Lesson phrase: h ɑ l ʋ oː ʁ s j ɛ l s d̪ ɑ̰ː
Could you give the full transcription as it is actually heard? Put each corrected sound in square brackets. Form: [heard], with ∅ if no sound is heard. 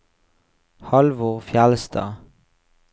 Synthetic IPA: h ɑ l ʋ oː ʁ [f] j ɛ l s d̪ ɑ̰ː